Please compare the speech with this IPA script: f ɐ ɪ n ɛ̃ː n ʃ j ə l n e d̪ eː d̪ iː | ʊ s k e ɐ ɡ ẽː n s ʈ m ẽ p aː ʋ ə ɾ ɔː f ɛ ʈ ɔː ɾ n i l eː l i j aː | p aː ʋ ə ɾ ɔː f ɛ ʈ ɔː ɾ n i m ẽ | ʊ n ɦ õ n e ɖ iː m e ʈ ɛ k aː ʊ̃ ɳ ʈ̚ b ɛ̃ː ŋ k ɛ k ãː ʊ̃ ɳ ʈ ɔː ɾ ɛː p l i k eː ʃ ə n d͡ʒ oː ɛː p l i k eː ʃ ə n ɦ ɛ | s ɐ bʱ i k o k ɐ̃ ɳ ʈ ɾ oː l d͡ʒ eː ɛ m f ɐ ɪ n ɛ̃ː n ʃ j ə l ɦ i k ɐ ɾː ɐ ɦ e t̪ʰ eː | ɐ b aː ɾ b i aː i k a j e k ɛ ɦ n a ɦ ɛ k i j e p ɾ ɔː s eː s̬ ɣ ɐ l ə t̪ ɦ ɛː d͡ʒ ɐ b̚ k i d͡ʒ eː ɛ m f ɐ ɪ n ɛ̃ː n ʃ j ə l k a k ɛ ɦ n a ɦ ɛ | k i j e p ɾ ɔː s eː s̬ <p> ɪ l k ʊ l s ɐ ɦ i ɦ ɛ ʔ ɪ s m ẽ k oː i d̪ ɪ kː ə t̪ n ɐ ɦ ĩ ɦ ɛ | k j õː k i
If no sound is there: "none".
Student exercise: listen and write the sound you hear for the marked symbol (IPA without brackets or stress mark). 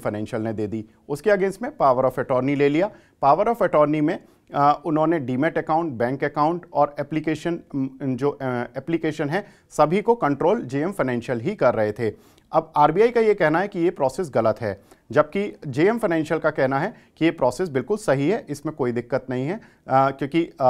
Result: b